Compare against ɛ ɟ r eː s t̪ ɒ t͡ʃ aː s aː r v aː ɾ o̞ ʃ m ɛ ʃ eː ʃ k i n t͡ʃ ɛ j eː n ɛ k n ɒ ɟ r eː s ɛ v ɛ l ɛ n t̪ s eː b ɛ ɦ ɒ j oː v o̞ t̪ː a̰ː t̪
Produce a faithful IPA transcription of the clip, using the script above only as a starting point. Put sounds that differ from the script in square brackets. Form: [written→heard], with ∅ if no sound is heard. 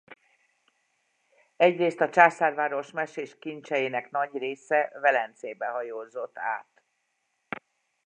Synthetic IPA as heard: ɛ ɟ r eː s t̪ ɒ t͡ʃ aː s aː r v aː ɾ o̞ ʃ m ɛ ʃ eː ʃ k i n t͡ʃ ɛ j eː n ɛ k n ɒ ɟ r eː s ɛ v ɛ l ɛ n t̪ s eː b ɛ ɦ ɒ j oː [v→z] o̞ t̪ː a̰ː t̪